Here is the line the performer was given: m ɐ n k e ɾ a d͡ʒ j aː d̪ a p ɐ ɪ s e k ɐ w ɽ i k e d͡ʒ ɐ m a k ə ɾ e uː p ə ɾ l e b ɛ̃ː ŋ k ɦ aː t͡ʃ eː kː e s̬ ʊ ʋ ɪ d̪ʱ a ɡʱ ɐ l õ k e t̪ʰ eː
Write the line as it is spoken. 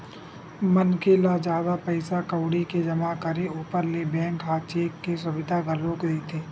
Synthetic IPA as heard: m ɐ n k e l a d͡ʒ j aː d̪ a p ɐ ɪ s a k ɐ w ɽ i k e d͡ʒ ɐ m a k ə ɾ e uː p ə ɾ l e b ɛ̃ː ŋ k ɦ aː t͡ʃ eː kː e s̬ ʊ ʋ ɪ d̪ʱ a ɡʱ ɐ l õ k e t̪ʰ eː